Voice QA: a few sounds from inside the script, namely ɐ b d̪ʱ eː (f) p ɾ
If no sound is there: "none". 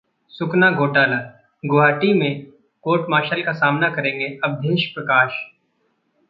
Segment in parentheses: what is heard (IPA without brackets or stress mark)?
ʃ